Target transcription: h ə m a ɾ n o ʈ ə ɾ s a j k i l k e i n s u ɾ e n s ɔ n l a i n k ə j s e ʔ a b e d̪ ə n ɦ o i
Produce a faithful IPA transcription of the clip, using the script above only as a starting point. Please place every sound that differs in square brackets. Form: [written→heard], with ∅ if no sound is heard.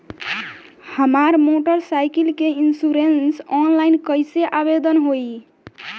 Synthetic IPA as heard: h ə m a ɾ [n→m] o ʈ ə ɾ s a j k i l k e i n s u ɾ e n s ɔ n l a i n k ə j s e ʔ a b e d̪ ə n ɦ o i